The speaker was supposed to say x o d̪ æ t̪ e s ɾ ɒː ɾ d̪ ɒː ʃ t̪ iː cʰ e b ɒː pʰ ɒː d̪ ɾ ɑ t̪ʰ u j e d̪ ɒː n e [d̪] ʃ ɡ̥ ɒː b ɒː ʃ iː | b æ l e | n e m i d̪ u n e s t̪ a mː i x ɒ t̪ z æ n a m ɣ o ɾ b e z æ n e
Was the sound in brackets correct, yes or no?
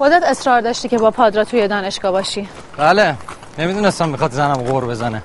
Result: no